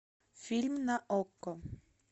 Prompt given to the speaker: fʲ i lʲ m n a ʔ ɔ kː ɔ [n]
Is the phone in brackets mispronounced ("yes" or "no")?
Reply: yes